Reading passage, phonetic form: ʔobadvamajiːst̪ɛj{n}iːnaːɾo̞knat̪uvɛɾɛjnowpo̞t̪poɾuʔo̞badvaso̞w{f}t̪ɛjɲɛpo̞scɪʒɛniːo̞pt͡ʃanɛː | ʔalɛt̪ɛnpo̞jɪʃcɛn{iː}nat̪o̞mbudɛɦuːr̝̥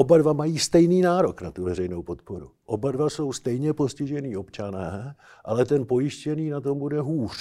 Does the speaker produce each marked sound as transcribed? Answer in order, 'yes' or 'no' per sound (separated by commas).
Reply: yes, no, yes